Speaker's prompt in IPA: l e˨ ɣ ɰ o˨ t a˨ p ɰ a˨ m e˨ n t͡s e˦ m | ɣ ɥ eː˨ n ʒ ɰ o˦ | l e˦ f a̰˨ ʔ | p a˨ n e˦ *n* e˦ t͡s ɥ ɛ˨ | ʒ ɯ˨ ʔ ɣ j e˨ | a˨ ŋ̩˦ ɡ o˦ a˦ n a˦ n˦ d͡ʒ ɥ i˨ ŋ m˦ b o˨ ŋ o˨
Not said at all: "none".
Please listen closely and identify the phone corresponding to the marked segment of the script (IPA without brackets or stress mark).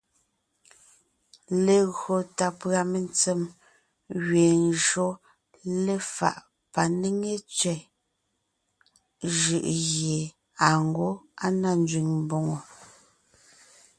ŋ